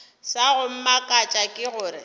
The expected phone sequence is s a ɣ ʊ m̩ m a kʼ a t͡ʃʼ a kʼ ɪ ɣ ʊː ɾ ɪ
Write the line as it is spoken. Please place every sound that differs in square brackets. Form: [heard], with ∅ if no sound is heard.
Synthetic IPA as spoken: s a ɣ ʊ m̩ m a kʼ a t͡ʃʼ a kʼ ɪ ɣ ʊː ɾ ɪ